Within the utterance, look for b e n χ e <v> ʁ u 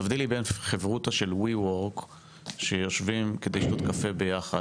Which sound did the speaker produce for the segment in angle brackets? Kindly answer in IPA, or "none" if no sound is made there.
v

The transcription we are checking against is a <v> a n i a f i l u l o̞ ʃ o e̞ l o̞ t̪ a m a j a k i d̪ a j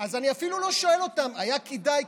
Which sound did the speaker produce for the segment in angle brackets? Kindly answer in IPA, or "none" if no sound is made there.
z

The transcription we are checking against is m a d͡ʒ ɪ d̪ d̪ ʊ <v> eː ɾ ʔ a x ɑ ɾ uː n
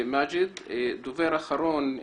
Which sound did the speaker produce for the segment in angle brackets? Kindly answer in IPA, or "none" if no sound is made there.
v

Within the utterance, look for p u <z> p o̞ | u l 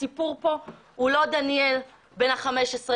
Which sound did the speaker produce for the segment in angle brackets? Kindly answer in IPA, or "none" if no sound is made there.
ʁ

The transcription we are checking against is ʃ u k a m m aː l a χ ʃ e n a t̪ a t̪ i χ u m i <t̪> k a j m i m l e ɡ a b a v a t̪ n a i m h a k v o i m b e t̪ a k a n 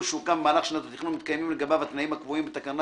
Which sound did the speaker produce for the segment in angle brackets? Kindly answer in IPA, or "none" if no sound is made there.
t̪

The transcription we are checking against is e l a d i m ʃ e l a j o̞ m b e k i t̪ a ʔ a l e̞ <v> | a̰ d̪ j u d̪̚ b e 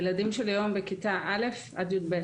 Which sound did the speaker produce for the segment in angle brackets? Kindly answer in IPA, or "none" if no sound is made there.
f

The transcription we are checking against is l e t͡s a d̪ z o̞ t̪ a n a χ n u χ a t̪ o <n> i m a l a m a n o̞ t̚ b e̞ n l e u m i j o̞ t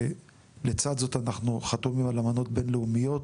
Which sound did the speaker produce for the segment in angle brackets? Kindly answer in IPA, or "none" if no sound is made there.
m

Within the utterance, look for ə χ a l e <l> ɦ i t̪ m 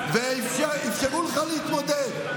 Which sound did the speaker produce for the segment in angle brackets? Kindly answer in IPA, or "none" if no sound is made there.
none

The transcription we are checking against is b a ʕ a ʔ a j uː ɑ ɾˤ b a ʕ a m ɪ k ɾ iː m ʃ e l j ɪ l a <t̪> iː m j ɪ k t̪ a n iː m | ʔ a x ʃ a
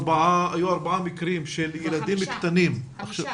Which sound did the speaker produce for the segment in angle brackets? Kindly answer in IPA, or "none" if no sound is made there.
d̪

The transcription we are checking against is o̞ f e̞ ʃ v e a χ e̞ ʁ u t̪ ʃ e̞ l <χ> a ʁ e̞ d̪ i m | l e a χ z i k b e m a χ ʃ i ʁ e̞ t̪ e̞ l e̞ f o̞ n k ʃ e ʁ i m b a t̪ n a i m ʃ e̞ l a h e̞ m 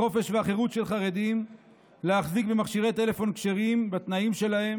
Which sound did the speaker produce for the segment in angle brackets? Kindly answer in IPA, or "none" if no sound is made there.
χ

